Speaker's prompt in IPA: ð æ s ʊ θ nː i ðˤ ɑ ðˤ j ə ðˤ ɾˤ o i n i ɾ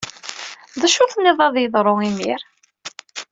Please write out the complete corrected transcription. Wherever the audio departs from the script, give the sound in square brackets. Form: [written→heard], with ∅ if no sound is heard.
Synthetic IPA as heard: ð æ [s→ʃ] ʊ θ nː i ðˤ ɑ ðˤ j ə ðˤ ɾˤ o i [n→m] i ɾ